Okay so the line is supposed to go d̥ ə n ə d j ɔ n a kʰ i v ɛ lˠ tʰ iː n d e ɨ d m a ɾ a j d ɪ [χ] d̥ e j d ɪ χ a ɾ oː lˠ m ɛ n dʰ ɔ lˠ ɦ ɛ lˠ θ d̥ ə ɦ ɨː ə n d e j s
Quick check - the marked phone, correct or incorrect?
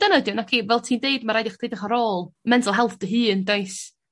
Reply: correct